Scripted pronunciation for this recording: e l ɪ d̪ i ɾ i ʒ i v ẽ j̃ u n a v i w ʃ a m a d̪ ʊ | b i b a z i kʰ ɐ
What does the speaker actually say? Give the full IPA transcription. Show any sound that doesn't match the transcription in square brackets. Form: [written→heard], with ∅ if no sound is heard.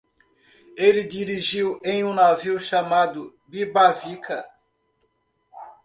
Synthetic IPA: e l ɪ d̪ i ɾ i ʒ i [v→w] ẽ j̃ [u→ũ] n a v i w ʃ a m a d̪ ʊ | b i b a [z→v] i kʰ ɐ